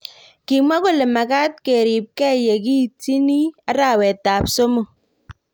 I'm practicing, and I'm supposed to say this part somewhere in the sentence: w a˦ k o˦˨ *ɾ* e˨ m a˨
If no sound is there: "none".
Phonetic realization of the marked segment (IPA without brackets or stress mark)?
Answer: l